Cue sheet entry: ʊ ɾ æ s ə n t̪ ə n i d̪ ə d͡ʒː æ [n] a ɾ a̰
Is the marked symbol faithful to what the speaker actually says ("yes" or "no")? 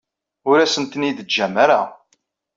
no